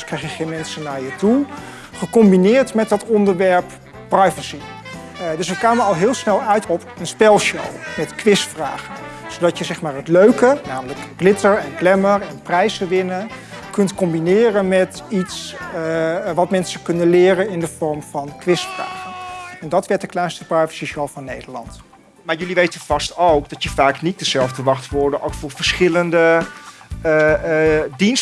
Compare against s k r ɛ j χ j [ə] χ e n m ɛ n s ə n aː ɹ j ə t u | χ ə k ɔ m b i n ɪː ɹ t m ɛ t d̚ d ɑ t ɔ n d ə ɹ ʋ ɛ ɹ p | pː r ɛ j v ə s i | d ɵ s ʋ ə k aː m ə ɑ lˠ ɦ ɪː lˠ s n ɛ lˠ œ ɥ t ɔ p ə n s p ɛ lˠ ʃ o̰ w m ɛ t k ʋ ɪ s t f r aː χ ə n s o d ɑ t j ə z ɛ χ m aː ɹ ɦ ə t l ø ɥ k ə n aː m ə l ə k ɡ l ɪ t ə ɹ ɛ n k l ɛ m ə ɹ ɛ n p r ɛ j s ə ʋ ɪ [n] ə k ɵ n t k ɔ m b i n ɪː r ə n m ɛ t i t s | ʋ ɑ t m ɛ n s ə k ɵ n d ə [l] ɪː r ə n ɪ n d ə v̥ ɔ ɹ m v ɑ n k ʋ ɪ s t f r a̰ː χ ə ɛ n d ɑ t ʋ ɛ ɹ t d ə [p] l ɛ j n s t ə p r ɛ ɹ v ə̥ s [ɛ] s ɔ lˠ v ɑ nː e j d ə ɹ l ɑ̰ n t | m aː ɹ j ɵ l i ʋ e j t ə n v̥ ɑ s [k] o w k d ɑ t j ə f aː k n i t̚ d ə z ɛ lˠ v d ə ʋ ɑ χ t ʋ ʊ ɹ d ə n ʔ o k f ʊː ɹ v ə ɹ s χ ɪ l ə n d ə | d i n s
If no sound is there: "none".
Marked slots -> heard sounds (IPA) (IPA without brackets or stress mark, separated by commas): ə, n, l, k, i, t